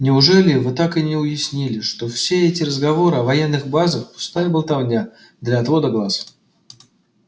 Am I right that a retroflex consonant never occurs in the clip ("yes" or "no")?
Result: no